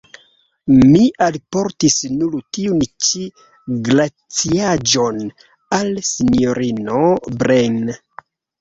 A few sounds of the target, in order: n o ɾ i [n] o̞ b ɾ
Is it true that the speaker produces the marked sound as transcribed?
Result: yes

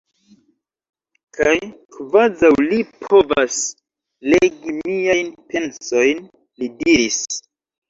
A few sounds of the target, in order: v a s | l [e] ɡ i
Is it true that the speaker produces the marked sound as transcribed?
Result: yes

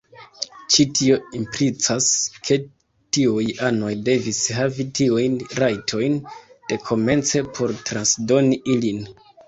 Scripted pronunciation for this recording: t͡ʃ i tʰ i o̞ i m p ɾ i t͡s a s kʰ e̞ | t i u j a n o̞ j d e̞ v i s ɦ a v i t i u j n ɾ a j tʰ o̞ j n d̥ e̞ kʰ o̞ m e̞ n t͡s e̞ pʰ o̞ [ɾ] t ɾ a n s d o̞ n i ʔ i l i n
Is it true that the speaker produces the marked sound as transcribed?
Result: yes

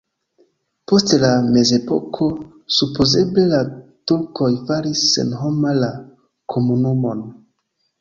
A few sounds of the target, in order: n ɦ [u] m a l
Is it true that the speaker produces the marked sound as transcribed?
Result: no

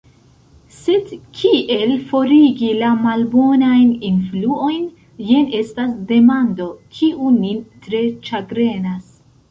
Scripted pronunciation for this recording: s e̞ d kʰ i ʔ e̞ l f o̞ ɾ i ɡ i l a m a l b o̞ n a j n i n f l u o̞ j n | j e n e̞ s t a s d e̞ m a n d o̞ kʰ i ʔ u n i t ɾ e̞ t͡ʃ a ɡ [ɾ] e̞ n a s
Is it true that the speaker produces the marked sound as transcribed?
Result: yes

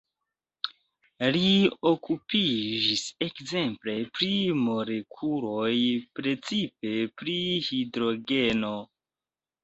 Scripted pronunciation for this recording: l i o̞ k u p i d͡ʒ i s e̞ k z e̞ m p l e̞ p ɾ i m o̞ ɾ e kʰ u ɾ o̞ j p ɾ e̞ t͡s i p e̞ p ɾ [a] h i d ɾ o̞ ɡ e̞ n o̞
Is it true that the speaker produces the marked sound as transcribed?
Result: no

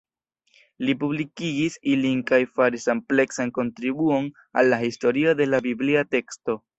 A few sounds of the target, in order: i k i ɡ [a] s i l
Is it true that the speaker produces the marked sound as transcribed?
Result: no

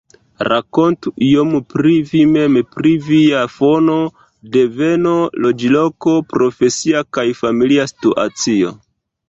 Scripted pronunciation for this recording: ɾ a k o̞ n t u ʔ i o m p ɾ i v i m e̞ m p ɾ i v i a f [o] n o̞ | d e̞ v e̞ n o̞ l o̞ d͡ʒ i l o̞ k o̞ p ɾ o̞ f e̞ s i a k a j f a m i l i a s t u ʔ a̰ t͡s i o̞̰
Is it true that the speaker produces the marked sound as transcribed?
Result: yes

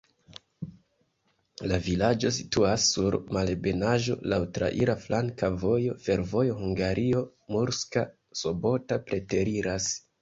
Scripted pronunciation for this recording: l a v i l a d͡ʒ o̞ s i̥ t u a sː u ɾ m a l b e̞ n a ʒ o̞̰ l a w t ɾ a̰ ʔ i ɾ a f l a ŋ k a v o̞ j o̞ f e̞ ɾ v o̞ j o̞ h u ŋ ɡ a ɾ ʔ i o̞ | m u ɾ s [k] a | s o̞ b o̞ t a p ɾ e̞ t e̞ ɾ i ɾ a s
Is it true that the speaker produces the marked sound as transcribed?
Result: yes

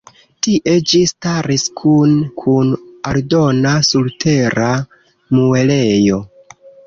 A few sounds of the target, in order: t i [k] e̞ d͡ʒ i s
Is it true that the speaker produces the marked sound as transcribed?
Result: no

